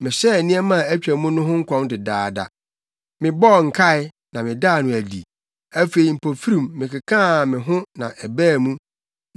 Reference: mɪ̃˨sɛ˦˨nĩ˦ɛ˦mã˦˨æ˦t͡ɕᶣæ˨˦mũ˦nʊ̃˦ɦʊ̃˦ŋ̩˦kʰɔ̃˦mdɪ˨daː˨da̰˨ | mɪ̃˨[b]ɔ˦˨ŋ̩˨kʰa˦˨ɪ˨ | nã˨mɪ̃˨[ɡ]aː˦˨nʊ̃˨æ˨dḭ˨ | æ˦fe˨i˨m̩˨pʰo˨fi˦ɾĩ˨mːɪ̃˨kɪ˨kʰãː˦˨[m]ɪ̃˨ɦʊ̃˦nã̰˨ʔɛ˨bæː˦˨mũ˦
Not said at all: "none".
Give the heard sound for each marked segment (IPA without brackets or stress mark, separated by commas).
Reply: b, d, m